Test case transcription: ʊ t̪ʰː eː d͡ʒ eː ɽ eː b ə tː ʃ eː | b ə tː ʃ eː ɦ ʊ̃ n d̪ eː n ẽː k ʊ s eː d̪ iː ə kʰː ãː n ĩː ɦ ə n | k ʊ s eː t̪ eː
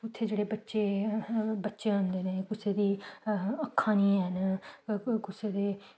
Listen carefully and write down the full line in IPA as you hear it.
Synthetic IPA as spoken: ʊ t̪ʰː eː d͡ʒ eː ɽ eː b ə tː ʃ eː | b ə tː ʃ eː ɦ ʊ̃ n d̪ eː n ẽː k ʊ s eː d̪ iː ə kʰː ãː n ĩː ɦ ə n | k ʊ s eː d̪ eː